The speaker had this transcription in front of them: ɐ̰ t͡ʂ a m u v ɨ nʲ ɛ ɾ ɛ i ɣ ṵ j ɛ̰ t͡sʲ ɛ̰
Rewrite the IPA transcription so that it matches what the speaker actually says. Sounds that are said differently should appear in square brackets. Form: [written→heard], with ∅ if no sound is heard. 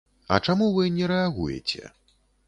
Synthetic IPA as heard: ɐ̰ t͡ʂ a m u v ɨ nʲ ɛ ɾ ɛ [i→a] ɣ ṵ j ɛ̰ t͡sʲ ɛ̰